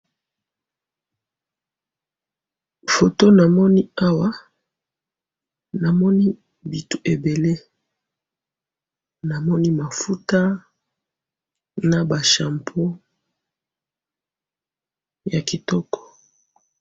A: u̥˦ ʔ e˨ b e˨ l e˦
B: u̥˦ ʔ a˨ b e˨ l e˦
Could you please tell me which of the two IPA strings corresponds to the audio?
A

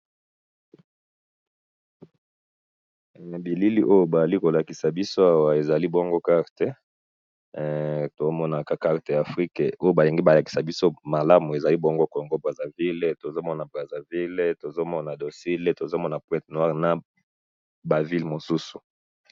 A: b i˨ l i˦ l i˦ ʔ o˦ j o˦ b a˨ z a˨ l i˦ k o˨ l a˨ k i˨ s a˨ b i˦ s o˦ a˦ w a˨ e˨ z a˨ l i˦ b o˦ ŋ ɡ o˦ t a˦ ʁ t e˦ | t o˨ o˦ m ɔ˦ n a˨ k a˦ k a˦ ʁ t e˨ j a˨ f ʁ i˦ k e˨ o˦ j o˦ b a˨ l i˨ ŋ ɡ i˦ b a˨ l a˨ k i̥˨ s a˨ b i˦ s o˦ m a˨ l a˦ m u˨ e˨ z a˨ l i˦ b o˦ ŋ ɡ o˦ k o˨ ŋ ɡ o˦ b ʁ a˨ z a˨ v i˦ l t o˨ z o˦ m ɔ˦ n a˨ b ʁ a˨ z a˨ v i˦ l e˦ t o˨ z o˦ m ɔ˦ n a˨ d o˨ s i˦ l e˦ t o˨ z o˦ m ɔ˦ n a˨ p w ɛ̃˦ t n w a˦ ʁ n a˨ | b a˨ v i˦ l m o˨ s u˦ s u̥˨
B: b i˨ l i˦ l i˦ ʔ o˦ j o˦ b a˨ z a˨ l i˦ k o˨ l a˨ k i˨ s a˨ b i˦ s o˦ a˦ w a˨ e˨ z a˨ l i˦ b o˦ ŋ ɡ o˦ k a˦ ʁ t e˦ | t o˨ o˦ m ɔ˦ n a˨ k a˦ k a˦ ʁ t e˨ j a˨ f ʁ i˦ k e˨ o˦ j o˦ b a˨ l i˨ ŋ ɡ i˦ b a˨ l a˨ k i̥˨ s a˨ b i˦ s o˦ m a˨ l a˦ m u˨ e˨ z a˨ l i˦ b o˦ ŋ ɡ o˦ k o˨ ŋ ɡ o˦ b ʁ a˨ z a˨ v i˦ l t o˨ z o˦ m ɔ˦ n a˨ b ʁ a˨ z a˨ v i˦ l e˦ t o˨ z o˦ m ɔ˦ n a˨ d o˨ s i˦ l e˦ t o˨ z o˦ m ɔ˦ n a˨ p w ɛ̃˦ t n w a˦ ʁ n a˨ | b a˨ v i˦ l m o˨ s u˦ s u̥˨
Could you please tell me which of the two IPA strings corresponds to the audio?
B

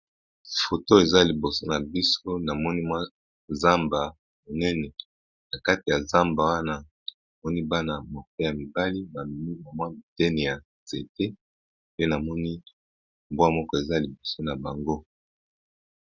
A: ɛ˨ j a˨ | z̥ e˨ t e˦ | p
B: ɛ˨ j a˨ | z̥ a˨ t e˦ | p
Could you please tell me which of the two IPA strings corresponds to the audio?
A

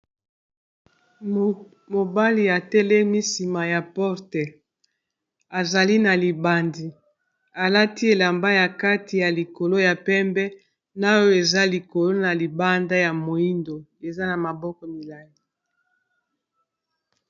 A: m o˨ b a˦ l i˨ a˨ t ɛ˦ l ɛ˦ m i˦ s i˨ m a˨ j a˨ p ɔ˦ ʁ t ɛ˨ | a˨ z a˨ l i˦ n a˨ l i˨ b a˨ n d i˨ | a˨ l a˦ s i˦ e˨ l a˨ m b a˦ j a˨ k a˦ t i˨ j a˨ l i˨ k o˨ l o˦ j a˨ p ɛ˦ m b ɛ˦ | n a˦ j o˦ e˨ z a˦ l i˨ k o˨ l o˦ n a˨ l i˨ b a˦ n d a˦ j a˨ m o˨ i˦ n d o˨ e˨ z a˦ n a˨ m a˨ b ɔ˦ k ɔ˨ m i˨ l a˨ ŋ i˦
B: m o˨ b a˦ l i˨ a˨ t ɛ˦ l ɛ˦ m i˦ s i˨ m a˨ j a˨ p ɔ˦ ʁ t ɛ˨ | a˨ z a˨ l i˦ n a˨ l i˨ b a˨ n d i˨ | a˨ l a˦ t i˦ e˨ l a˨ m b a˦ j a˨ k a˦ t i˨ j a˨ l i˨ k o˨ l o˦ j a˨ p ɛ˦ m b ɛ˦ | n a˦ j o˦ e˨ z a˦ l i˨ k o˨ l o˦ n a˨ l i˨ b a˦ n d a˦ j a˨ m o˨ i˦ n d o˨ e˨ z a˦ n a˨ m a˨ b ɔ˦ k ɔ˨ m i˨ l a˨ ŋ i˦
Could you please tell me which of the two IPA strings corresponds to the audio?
B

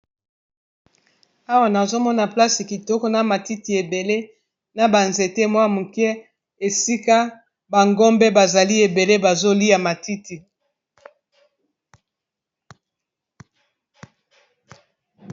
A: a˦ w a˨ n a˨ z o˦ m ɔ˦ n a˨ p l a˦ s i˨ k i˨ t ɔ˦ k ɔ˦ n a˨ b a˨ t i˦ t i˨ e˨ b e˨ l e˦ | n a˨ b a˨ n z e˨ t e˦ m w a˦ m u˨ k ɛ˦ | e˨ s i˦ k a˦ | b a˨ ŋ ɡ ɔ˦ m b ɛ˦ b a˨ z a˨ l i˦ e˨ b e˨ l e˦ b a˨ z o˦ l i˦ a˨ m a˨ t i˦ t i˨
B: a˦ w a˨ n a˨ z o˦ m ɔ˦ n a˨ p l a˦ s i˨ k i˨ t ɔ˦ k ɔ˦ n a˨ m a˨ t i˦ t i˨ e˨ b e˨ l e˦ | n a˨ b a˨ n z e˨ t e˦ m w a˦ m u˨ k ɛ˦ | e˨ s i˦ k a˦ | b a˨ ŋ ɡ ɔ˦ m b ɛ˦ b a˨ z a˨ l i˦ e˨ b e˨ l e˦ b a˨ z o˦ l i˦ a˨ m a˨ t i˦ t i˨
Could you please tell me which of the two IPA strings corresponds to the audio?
B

